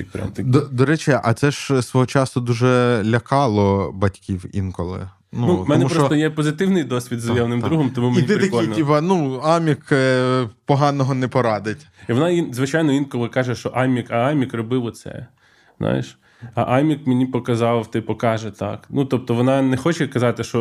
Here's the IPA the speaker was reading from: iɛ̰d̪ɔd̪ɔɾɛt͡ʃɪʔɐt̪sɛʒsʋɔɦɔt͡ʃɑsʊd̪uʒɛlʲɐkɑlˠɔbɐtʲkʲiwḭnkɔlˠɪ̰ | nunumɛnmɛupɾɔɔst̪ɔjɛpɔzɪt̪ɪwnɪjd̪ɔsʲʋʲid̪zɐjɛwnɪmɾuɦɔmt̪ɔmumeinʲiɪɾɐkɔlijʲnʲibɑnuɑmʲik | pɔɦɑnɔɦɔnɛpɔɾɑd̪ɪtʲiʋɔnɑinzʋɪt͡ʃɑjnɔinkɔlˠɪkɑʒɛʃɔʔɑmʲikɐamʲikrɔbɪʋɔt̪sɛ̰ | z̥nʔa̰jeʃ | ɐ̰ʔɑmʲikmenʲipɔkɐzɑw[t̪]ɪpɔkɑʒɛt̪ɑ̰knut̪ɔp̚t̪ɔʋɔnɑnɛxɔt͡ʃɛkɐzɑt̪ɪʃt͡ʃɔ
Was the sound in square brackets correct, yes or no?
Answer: yes